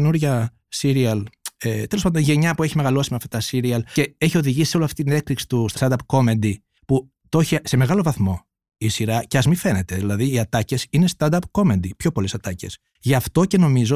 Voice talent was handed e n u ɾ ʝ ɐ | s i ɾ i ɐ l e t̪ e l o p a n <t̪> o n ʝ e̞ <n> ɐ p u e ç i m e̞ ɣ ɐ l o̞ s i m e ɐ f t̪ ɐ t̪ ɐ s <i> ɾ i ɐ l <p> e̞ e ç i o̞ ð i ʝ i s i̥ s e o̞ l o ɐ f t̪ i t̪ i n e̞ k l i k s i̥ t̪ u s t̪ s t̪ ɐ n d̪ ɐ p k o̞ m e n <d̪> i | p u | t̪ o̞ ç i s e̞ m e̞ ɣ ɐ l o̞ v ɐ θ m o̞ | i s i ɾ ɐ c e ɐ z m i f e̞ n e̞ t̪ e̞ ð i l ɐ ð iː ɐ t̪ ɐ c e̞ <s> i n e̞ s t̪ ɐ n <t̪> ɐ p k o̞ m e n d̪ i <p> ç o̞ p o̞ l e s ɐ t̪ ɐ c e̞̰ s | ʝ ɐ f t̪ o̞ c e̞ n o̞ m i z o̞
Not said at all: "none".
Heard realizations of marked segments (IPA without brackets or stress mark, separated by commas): d̪, ɲ, i, c, d̪, s, d̪, p